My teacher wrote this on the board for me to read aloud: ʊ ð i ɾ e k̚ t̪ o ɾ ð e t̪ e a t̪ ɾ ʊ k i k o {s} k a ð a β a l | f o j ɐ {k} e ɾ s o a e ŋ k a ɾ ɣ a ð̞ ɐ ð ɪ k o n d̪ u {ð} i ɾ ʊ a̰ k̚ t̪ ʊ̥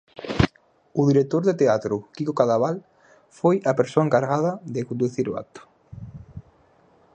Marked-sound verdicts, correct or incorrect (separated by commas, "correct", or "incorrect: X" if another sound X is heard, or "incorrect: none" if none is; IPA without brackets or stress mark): incorrect: none, incorrect: p, incorrect: θ